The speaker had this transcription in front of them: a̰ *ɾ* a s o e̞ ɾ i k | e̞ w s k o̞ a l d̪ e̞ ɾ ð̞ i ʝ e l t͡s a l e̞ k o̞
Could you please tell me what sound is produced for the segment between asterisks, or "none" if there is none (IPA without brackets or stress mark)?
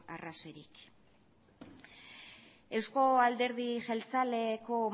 r